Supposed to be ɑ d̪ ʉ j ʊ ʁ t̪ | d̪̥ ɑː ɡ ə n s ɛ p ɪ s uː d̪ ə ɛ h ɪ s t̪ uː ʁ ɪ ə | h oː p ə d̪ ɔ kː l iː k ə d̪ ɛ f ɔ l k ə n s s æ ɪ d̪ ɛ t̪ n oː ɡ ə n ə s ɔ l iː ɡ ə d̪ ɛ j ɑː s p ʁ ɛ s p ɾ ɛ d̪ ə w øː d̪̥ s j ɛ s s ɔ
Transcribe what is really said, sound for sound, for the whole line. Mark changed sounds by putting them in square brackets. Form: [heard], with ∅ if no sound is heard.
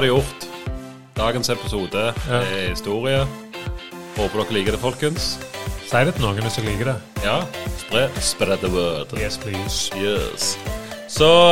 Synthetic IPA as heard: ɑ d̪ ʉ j ʊ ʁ t̪ | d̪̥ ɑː ɡ ə n s ɛ p ɪ s uː d̪ ə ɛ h ɪ s t̪ uː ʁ ɪ ə | h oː p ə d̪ ɔ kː l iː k ə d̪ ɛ f ɔ l k ə n s s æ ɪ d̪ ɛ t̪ n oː ɡ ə n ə s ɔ l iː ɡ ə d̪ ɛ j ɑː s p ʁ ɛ s p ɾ ɛ d̪ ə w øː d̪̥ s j ɛ s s ɔ